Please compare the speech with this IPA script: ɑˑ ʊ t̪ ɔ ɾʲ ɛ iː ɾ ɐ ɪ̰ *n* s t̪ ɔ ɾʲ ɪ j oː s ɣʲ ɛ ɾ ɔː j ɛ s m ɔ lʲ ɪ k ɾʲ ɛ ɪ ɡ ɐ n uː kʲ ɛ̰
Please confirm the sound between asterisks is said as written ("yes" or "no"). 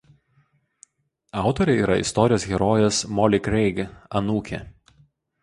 no